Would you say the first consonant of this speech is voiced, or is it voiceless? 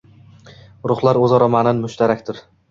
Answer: voiced